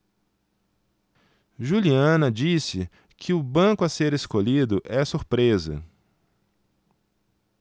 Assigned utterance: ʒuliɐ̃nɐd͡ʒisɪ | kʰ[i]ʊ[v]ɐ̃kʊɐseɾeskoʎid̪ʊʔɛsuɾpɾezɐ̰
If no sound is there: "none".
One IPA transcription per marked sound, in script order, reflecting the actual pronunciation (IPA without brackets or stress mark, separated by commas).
ɪ, b